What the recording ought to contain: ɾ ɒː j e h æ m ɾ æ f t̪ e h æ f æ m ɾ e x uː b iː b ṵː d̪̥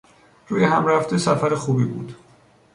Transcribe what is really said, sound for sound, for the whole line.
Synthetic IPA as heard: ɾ uː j e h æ m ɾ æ f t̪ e s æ f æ ɾ e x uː b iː b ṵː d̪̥